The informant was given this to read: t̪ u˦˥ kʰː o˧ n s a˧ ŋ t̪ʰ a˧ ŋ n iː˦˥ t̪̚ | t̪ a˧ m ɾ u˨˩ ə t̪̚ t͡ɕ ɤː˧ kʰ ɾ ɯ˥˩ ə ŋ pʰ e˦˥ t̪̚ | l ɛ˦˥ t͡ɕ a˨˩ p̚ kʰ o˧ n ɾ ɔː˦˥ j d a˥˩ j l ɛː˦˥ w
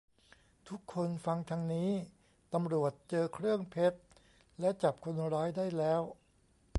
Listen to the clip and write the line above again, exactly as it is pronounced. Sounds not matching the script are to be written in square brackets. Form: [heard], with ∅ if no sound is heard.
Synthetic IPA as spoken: [t̪ʰ] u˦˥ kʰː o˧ n [f] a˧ ŋ t̪ʰ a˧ ŋ n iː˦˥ [∅] | t̪ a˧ m ɾ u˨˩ ə t̪̚ t͡ɕ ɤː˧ kʰ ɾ ɯ˥˩ ə ŋ pʰ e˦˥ t̪̚ | l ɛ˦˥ t͡ɕ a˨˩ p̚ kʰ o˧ n ɾ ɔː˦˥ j d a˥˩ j l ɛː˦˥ w